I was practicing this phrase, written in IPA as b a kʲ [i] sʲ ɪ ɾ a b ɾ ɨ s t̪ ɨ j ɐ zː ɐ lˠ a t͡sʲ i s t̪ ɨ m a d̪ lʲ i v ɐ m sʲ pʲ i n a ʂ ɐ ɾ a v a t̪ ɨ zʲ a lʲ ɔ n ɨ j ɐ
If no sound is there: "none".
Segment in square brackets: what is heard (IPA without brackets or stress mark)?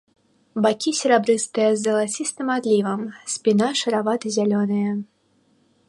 i